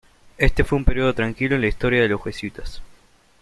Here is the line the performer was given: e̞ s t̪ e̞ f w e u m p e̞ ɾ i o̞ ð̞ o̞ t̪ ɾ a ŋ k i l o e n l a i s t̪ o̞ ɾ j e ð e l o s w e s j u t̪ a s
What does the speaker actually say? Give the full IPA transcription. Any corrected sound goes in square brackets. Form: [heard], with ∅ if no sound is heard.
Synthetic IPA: e̞ s t̪ e̞ f w e u m p e̞ ɾ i o̞ ð̞ o̞ t̪ ɾ a ŋ k i l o e n l a i s t̪ o̞ ɾ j [a] ð e l o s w e s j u t̪ a s